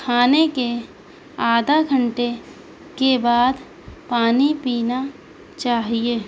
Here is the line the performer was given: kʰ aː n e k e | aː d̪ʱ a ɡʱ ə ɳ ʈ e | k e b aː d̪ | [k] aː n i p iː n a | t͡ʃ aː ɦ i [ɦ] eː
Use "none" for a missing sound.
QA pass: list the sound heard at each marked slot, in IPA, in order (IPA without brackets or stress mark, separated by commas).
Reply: p, none